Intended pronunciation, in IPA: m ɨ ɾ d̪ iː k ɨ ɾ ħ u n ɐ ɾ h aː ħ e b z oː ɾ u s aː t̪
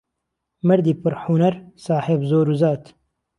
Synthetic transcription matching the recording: m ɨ ɾ d̪ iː p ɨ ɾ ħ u n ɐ ɾ s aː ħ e b z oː ɾ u z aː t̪